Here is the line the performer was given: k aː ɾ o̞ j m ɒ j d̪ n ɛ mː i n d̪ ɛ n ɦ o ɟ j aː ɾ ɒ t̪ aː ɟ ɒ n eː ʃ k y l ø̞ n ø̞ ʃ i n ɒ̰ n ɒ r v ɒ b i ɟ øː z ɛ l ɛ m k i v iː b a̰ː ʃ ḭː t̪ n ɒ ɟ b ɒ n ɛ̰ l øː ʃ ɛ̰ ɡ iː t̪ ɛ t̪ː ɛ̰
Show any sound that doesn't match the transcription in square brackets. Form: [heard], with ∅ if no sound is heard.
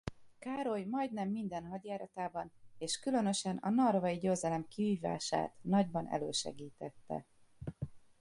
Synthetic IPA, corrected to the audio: k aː ɾ o̞ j m ɒ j d̪ n ɛ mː i n d̪ ɛ n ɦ [ɒ] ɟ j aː ɾ ɒ t̪ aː [b] ɒ n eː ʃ k y l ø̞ n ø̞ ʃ [ɛ] n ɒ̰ n ɒ r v ɒ [∅] i ɟ øː z ɛ l ɛ m k i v iː [v] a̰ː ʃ [a̰ː] t̪ n ɒ ɟ b ɒ n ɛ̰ l øː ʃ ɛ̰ ɡ iː t̪ ɛ t̪ː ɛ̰